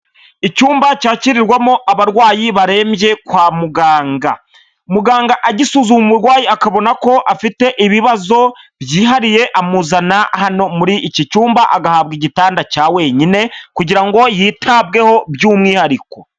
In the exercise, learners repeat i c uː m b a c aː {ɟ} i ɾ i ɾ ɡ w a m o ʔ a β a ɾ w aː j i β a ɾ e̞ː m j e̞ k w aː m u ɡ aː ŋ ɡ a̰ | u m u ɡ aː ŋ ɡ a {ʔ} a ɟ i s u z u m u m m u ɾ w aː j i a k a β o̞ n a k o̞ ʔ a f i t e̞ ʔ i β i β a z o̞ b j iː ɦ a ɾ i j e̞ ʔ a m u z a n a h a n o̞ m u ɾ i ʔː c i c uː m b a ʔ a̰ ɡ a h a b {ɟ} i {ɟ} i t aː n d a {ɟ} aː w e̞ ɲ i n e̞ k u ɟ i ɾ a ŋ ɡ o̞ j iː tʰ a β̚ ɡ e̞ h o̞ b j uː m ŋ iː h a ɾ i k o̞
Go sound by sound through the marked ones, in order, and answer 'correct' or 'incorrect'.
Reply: incorrect: c, correct, incorrect: ɡ, correct, incorrect: c

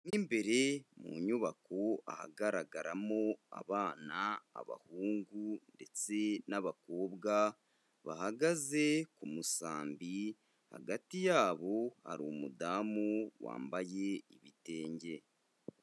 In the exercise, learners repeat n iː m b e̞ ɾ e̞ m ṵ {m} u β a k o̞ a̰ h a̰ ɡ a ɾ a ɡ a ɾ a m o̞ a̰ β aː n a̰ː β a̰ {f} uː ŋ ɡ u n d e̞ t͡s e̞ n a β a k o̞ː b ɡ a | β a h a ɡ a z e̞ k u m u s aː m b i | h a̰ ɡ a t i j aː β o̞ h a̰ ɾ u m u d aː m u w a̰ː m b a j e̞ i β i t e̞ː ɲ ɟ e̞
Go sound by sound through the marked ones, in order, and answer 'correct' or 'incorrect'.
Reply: incorrect: ɲ, incorrect: h

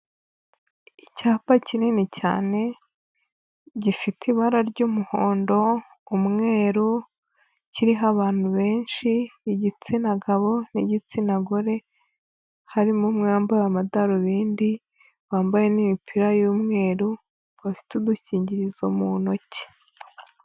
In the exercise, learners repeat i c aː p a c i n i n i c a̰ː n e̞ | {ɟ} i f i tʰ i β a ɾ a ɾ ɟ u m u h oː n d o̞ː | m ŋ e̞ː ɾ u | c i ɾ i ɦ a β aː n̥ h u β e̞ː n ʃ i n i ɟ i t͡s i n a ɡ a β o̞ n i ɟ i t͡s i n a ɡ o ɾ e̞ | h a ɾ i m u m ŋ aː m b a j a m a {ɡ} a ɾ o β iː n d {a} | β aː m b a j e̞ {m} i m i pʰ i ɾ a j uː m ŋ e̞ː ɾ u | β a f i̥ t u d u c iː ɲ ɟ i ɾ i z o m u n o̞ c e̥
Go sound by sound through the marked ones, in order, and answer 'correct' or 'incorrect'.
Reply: correct, incorrect: d, incorrect: i, incorrect: n

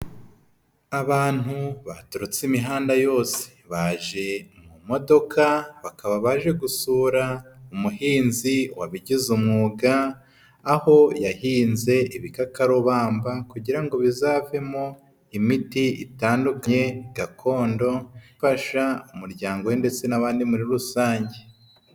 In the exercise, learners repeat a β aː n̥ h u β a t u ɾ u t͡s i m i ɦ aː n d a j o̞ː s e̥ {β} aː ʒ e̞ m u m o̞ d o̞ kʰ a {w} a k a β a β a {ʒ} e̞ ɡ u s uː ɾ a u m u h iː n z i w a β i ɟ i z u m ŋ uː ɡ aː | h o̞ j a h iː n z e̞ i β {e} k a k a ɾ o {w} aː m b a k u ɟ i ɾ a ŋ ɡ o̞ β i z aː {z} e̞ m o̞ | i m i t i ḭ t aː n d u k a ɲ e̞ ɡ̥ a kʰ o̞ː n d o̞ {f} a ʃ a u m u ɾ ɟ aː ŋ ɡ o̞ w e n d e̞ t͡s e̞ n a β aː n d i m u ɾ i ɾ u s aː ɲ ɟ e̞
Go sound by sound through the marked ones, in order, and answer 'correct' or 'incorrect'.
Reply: correct, incorrect: β, correct, incorrect: i, incorrect: β, incorrect: v, correct

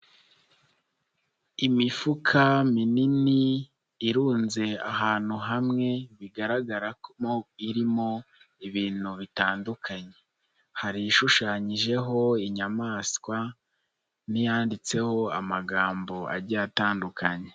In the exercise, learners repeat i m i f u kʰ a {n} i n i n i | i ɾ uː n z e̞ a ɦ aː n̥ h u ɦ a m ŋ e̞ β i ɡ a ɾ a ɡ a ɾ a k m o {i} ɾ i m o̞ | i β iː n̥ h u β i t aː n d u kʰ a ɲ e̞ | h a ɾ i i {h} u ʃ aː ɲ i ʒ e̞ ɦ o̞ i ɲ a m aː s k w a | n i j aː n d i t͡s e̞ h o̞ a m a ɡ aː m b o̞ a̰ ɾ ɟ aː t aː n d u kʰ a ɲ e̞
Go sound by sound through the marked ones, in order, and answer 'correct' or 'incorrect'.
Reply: incorrect: m, correct, incorrect: ʃ

